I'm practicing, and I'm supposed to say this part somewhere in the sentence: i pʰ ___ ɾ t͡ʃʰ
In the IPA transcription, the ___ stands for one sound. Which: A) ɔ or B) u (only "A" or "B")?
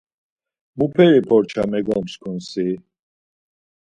A